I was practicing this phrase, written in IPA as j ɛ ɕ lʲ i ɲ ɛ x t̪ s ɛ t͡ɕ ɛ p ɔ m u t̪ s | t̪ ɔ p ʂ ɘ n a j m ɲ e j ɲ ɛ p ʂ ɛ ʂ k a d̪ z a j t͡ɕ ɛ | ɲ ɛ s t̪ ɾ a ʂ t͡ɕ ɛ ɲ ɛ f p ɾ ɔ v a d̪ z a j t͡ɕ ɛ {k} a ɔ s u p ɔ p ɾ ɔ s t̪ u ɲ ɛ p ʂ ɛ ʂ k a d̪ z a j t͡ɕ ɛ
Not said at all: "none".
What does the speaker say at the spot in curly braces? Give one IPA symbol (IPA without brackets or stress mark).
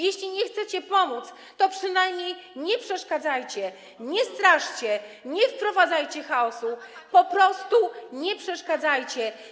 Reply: x